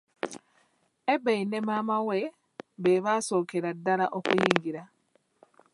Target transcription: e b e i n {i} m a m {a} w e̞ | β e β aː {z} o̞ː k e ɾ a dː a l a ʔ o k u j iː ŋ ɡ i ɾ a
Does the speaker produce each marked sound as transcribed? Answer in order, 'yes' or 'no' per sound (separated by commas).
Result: no, yes, no